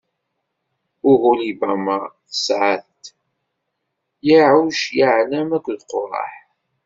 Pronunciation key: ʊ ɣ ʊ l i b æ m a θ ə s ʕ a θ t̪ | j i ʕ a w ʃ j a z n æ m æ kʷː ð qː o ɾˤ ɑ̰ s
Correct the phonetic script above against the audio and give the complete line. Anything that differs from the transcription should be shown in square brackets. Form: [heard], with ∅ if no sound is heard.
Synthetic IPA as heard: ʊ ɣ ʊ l i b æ m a θ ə s ʕ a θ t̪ | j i ʕ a w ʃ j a [ʕ] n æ m æ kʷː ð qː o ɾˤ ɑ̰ [ħ]